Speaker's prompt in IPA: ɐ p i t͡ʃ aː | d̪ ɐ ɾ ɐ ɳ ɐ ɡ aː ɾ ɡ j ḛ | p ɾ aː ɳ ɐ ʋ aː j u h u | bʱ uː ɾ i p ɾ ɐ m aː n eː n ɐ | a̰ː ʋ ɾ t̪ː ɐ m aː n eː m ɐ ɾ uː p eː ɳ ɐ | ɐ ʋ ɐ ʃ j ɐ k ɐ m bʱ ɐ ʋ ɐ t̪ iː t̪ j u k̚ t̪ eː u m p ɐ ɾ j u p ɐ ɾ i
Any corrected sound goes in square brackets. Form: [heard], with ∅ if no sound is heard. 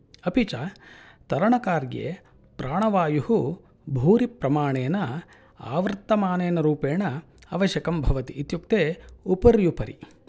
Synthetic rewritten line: ɐ p i t͡ʃ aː | [t̪] ɐ ɾ ɐ ɳ ɐ [k] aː ɾ ɡ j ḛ | p ɾ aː ɳ ɐ ʋ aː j u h u | bʱ uː ɾ i p ɾ ɐ m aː [ɳ] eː n ɐ | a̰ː ʋ ɾ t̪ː ɐ m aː n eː [n] ɐ ɾ uː p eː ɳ ɐ | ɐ ʋ ɐ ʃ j ɐ k ɐ m bʱ ɐ ʋ ɐ t̪ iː t̪ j u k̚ t̪ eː u [∅] p ɐ ɾ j u p ɐ ɾ i